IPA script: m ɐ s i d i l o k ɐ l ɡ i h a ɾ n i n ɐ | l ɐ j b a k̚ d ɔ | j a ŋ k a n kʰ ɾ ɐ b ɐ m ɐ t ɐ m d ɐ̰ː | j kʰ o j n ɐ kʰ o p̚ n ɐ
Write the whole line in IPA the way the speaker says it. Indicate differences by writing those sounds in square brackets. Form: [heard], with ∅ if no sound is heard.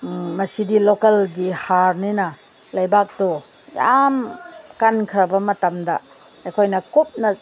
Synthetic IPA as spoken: m ɐ s i d i l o k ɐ l ɡ i h a ɾ n i n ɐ | l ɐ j b a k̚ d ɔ | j a [m] k a n kʰ ɾ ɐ b ɐ m ɐ t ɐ m d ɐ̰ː | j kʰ o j n ɐ [k] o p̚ n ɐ